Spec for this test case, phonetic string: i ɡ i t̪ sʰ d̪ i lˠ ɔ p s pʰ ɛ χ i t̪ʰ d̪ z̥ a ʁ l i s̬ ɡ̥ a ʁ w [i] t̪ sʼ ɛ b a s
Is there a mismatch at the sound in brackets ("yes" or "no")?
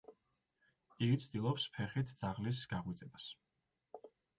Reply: no